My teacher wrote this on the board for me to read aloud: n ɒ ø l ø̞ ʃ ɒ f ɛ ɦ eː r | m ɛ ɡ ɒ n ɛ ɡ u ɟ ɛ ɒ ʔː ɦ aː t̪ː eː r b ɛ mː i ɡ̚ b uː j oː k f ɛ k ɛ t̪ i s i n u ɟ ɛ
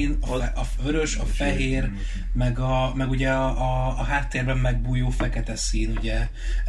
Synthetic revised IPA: n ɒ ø ɾ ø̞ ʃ ɒ f ɛ ɦ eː r | m ɛ ɡ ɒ m ɛ ɡ u ɟ ɛ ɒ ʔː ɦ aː t̪ː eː r b ɛ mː ɛ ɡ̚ b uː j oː f ɛ k ɛ t̪ ɛ s iː n u ɟ ɛ